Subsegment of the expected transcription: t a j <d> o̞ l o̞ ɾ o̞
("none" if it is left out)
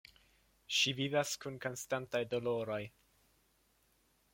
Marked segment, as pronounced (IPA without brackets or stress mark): d